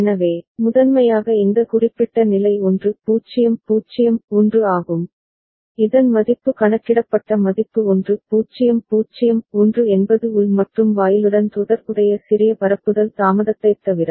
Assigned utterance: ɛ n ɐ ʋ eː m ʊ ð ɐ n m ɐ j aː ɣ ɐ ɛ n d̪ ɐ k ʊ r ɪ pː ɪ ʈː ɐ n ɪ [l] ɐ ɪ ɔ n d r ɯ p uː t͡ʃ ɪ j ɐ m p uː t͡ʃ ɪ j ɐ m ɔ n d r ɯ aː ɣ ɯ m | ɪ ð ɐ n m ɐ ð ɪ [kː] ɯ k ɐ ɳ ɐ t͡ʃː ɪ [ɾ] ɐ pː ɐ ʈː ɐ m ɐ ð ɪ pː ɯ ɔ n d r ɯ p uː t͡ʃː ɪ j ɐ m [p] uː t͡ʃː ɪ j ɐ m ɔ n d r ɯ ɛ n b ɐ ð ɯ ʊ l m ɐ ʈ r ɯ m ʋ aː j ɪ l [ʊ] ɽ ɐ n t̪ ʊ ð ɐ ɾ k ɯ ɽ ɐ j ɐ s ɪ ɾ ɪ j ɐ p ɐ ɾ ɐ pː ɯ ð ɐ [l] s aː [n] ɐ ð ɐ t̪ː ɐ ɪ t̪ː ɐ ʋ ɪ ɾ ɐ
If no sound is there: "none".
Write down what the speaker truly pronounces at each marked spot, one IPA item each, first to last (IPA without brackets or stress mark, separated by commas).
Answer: l, pː, ɽ, p, ɯ, l, m